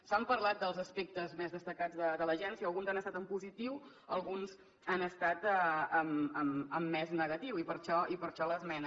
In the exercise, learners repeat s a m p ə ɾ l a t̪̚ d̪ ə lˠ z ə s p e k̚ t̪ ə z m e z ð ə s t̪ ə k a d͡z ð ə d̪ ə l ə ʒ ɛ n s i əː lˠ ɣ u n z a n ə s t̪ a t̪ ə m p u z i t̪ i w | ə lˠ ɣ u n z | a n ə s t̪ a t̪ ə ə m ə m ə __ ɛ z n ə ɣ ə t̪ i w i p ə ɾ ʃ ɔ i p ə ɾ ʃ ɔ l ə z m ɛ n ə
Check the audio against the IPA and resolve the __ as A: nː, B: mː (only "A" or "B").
B